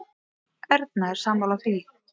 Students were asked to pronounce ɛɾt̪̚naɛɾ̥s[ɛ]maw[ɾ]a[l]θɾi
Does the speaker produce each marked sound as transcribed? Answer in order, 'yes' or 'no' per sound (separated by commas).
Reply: no, no, no